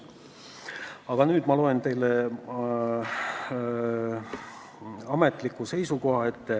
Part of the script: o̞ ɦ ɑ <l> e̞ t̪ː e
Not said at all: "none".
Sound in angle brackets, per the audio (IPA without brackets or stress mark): none